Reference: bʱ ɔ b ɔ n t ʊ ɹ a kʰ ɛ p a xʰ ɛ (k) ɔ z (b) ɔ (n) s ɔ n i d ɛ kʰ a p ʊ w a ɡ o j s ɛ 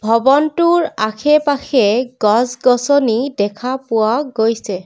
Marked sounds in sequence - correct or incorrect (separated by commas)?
incorrect, incorrect, incorrect